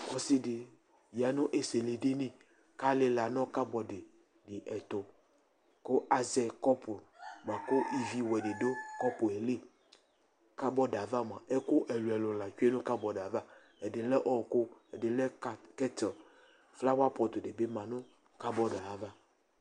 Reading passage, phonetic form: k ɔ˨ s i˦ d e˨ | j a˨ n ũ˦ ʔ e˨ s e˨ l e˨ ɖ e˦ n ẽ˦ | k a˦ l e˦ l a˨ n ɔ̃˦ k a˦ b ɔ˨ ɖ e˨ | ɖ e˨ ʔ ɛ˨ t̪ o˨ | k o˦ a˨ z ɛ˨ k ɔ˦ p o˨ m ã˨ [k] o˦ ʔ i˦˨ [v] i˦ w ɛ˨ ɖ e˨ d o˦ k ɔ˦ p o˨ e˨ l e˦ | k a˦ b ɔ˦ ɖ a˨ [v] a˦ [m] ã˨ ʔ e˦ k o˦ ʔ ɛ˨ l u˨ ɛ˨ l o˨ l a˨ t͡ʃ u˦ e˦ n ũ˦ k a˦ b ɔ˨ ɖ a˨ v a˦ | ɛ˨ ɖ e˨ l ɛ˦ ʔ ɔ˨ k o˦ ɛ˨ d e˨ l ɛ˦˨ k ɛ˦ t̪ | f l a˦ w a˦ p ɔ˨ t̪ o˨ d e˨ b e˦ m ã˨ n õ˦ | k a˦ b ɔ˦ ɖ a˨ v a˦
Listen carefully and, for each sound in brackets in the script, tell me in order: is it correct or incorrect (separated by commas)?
correct, correct, correct, correct